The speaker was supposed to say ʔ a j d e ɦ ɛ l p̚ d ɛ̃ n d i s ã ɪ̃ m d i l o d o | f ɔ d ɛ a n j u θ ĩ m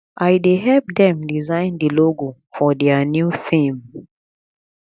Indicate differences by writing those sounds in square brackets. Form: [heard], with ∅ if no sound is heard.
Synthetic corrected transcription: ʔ a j d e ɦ ɛ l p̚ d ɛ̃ [m] d i [z] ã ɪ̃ [n] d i l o [ɡ] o | f ɔ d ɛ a n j u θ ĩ m